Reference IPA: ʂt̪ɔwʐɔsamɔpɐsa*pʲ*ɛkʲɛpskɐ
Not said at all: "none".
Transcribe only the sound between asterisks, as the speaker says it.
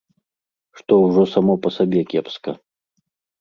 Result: bʲ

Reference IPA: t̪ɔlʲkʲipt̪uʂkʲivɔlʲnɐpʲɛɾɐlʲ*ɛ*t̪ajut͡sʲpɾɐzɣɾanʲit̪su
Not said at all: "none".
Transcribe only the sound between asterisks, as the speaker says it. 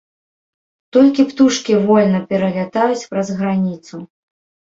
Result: a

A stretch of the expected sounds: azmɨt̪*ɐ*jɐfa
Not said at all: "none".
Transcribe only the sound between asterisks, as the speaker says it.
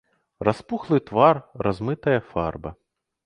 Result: ɐ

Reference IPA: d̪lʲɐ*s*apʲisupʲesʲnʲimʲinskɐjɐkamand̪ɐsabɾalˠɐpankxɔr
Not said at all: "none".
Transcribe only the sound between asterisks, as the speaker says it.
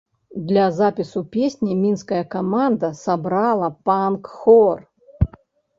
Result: z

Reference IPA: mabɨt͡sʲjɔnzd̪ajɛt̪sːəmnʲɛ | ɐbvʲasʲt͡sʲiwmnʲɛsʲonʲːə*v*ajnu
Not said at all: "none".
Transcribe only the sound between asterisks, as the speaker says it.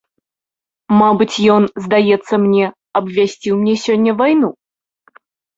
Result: v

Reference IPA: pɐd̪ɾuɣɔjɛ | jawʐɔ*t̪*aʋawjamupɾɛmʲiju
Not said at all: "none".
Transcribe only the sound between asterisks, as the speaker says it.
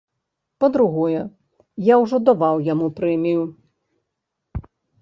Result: d̪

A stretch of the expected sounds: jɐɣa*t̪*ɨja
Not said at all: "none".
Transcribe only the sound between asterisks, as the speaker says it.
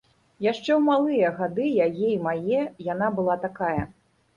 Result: d̪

